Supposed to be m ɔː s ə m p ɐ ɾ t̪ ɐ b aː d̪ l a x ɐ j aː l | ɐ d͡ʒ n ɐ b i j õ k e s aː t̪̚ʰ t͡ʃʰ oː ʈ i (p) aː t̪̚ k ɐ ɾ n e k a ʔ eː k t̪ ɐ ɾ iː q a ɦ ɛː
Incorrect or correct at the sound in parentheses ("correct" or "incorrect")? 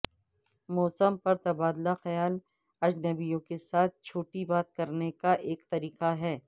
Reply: incorrect